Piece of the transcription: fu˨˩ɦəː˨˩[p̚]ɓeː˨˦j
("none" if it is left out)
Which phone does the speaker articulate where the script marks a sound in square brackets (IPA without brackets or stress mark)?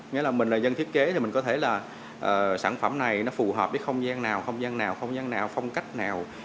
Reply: p̚